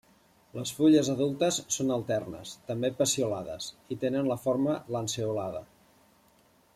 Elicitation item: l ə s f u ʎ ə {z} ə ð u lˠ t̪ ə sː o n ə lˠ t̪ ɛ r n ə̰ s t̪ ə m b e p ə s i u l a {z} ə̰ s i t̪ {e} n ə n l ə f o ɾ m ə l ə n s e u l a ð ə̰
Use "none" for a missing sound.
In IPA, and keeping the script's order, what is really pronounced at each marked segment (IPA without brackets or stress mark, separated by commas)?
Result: z, ð, e